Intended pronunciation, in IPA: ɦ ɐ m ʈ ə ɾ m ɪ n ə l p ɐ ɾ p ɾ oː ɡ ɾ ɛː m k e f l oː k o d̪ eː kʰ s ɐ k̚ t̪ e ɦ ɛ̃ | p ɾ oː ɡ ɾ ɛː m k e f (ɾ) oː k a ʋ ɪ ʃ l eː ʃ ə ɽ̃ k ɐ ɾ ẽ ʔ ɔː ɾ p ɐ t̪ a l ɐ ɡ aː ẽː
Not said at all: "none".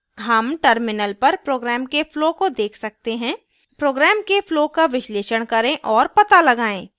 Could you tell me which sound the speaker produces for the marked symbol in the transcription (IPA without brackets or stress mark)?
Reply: l